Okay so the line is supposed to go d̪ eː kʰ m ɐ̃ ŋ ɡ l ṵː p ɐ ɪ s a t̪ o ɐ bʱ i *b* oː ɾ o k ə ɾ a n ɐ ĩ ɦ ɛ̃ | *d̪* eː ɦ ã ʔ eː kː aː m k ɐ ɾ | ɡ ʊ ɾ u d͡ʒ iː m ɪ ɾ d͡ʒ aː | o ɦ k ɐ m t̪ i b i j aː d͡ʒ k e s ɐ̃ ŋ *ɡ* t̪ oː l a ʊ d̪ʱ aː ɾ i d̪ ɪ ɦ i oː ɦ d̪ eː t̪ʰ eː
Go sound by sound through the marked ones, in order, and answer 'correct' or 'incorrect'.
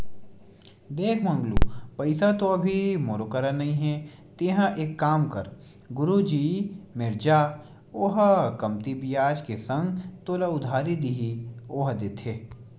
incorrect: m, incorrect: t̪, correct

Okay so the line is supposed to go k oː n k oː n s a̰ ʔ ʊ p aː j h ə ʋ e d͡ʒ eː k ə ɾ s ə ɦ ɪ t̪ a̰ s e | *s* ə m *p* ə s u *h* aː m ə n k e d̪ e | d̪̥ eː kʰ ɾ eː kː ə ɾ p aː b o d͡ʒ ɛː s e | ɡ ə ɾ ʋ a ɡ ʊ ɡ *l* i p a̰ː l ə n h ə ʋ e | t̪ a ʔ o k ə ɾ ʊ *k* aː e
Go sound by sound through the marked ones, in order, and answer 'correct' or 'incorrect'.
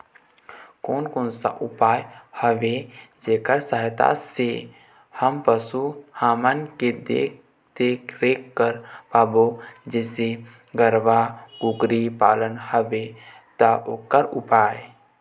incorrect: h, correct, correct, incorrect: ɾ, incorrect: p

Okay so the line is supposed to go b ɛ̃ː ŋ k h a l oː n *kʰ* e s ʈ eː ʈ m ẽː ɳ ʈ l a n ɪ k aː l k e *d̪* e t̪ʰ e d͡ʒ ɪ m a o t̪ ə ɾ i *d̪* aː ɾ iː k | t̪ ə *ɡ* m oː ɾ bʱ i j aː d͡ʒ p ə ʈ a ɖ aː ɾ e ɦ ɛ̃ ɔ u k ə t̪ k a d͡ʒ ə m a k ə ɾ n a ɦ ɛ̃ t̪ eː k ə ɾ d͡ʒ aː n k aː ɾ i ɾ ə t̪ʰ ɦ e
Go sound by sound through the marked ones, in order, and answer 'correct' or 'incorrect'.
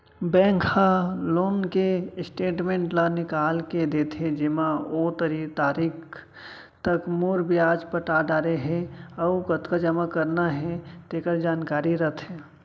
incorrect: k, correct, incorrect: t̪, incorrect: k

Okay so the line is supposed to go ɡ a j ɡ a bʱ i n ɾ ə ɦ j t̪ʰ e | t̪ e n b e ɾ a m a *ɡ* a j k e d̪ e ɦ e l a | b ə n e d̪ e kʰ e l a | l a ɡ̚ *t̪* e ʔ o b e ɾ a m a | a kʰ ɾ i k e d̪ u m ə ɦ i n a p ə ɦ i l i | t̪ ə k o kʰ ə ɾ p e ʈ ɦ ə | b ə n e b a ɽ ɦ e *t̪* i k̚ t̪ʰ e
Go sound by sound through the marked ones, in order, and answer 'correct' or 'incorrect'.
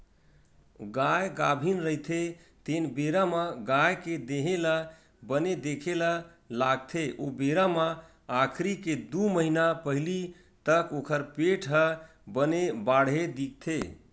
correct, incorrect: t̪ʰ, incorrect: d̪

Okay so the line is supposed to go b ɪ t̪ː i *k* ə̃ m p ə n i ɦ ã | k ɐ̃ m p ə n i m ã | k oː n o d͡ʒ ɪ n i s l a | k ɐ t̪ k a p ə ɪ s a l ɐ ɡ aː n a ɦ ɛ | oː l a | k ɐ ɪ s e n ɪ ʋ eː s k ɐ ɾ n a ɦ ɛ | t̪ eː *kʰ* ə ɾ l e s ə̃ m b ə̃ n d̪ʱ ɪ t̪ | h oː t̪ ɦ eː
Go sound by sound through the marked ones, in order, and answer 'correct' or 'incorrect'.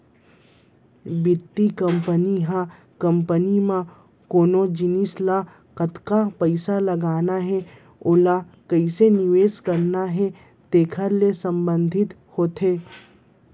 correct, correct

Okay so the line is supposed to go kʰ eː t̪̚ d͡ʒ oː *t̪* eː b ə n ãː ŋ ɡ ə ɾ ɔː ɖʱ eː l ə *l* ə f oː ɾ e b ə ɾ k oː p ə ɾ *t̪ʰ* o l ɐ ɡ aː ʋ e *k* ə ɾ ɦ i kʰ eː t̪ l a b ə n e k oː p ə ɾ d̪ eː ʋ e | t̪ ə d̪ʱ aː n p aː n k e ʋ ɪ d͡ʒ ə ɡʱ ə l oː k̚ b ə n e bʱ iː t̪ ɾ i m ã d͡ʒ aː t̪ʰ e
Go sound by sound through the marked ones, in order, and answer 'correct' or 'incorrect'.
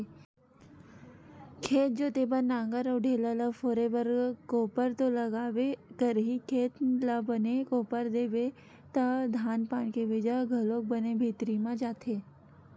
correct, correct, incorrect: t̪, correct

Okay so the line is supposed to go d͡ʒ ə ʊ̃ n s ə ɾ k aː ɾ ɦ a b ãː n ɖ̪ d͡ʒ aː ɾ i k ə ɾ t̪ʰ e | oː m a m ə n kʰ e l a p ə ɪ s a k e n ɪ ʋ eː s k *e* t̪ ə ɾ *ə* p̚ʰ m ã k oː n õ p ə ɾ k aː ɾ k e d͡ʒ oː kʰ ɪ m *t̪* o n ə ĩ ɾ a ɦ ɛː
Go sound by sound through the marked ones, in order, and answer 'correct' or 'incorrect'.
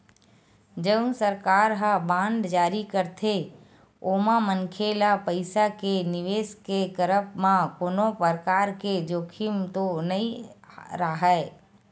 correct, correct, correct

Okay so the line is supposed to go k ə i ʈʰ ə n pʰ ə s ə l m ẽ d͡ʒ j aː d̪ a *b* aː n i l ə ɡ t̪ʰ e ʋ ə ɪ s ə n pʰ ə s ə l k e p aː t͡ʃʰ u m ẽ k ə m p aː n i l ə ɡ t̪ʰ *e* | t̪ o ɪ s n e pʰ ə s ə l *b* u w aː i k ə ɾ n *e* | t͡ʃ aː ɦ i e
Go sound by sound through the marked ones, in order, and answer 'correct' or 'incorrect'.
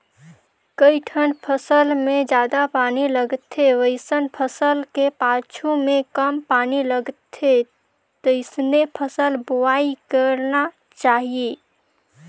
incorrect: p, correct, correct, incorrect: a

